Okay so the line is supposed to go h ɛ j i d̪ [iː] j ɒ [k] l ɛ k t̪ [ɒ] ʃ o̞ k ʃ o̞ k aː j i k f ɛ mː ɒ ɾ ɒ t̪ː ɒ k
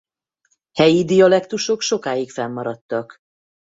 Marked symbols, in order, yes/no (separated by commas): no, no, no